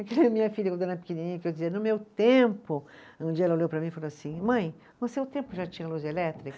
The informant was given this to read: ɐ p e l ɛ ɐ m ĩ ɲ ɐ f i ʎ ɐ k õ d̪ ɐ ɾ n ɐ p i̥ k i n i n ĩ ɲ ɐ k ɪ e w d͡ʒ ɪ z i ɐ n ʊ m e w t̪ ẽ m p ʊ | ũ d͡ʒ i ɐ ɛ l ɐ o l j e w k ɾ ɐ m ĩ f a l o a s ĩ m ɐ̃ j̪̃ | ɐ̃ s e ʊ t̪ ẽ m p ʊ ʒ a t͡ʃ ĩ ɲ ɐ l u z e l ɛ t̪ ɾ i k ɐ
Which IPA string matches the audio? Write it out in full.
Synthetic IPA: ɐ k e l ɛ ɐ m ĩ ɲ ɐ f i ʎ ɐ k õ d̪ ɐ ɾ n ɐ p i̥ k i n i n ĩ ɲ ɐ k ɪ e w d͡ʒ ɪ z i ɐ n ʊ m e w t̪ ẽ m p ʊ | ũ d͡ʒ i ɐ ɛ l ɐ o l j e w p ɾ ɐ m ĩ f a l o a s ĩ m ɐ̃ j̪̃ | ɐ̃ s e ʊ t̪ ẽ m p ʊ ʒ a t͡ʃ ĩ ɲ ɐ l u z e l ɛ t̪ ɾ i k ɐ